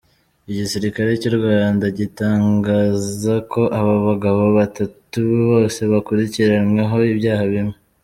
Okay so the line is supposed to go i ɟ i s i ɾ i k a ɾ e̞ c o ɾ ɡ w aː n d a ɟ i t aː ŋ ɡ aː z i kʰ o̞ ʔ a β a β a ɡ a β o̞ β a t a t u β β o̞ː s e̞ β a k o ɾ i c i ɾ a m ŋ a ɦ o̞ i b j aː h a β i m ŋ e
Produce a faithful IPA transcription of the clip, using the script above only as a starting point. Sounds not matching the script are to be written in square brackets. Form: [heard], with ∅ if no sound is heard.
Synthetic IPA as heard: i ɟ i s i ɾ i k a ɾ e̞ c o ɾ ɡ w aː n d a ɟ i t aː ŋ ɡ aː z [a] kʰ o̞ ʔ a β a β a ɡ a β o̞ β a t a t u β β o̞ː s e̞ β a k [u] ɾ i c i ɾ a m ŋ a ɦ o̞ i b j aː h a β i m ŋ e